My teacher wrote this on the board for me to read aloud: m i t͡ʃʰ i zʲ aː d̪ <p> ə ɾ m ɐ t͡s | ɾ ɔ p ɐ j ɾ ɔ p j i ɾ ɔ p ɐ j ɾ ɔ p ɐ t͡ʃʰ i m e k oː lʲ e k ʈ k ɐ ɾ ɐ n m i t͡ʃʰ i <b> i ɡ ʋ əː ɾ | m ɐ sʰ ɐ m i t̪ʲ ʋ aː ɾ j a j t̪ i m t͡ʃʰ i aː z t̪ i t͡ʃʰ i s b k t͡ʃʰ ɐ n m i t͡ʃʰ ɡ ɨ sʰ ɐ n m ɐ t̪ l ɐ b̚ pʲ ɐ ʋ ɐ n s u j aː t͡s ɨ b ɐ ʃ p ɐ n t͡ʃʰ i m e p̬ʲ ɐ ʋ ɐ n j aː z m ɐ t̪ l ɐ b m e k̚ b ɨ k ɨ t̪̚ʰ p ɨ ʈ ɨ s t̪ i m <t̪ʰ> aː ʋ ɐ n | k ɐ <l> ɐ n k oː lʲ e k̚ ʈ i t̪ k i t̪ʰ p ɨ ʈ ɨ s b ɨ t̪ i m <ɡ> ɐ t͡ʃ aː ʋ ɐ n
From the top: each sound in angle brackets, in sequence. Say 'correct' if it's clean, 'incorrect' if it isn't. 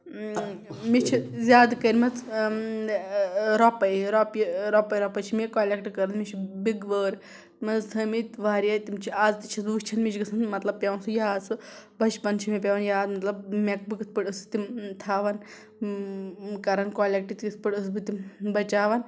incorrect: k, correct, correct, incorrect: ɾ, incorrect: b

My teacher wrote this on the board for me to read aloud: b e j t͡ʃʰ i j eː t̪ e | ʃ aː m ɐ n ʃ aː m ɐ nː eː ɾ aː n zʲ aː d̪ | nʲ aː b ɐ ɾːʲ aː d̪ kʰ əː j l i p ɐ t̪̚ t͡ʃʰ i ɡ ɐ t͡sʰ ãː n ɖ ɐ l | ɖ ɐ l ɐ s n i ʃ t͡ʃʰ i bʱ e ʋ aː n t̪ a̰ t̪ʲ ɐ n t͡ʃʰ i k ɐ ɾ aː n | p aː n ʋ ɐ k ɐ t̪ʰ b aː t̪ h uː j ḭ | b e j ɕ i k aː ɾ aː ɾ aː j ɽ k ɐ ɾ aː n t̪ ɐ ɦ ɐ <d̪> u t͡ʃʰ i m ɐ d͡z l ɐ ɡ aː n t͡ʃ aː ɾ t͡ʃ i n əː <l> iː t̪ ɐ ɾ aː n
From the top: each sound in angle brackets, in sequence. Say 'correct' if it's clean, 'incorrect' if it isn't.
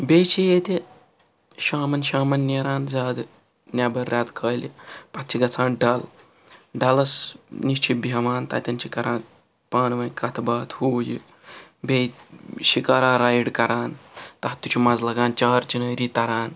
incorrect: t̪, incorrect: ɾ

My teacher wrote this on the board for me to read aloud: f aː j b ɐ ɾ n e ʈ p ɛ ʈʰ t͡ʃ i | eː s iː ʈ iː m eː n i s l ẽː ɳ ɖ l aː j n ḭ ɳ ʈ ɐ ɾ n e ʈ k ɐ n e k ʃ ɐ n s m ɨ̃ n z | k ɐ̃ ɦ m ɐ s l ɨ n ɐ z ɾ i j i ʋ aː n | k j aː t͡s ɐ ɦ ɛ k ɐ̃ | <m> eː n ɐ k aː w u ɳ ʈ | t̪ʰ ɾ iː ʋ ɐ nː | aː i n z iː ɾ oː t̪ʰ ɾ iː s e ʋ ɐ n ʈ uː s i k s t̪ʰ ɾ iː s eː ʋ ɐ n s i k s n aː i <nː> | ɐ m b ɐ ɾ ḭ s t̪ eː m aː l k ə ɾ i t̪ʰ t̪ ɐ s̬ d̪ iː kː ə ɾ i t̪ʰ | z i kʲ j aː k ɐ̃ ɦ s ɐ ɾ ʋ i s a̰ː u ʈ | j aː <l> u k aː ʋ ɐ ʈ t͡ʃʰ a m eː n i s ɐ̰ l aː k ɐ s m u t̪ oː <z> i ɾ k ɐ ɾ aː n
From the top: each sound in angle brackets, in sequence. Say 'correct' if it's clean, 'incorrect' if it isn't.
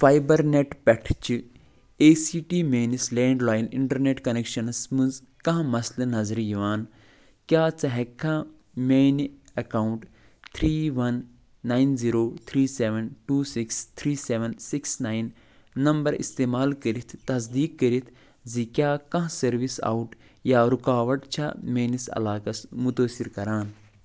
correct, correct, incorrect: ɾ, incorrect: s

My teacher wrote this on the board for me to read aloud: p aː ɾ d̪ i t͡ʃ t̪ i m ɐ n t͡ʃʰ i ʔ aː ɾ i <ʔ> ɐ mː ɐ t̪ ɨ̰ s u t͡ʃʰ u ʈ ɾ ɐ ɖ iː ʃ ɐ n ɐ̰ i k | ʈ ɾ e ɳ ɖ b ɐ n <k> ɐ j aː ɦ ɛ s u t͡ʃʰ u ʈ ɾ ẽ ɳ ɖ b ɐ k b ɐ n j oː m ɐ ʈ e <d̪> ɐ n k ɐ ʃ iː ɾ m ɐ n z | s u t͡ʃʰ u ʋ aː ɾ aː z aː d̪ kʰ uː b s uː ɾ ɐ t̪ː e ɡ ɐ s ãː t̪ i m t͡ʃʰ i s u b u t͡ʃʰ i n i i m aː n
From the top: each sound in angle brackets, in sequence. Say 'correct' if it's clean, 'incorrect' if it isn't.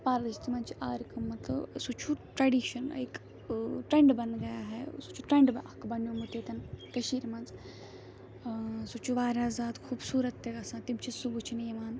incorrect: k, incorrect: ɡ, incorrect: t̪

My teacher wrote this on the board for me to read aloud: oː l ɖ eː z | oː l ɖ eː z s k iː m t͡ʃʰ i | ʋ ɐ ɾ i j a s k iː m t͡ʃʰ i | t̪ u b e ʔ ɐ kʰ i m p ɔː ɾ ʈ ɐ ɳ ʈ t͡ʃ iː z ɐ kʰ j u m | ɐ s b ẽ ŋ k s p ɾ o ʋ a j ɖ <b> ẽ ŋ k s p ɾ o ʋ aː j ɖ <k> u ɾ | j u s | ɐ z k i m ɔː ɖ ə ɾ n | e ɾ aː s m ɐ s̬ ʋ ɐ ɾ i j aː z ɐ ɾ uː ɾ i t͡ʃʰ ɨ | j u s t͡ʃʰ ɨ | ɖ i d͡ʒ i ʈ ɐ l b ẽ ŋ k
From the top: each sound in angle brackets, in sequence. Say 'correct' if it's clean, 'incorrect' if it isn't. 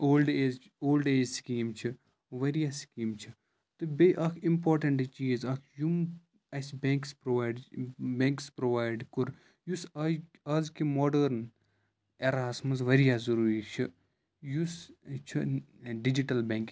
correct, correct

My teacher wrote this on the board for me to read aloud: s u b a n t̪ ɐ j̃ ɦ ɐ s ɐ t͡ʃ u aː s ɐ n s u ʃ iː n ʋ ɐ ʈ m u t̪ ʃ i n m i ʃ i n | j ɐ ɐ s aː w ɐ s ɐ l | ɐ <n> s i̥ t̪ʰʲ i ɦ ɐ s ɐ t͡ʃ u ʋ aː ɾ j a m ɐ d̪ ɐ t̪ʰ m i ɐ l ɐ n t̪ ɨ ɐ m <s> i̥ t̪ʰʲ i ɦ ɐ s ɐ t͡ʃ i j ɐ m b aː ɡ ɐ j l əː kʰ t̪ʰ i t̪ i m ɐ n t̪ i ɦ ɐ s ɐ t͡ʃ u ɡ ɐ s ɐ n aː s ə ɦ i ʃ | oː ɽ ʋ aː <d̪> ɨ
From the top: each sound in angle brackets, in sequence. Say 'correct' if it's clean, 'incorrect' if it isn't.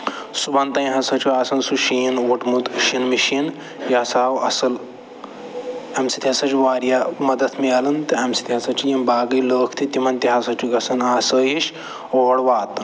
incorrect: m, correct, incorrect: t̪

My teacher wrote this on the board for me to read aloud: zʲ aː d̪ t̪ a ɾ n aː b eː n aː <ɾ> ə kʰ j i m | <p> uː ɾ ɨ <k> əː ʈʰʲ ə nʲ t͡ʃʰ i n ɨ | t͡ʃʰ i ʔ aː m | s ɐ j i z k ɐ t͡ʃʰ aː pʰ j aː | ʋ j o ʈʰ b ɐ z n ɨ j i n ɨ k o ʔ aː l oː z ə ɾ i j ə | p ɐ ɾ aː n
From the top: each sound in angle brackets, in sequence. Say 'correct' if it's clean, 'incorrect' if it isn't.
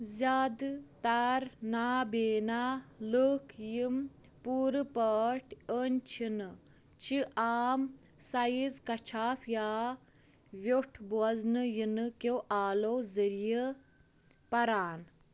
incorrect: l, correct, incorrect: p

